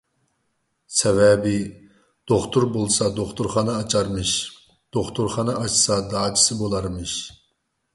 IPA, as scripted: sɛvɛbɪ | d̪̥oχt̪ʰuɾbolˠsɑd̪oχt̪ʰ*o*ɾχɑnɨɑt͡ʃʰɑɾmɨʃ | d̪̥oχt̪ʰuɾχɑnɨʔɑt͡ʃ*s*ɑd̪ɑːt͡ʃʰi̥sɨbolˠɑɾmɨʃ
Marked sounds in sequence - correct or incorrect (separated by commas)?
incorrect, correct